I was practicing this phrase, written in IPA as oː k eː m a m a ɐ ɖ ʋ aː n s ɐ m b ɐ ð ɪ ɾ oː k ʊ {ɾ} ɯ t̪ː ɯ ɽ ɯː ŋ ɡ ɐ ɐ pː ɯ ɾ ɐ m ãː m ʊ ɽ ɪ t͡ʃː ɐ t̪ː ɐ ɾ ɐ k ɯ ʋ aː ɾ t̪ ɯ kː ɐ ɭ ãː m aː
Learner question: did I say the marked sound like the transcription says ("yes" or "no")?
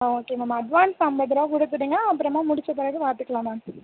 no